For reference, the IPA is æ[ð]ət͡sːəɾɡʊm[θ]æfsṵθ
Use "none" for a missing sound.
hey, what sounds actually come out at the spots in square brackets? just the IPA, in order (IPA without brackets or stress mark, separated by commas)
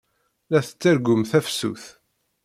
θ, θ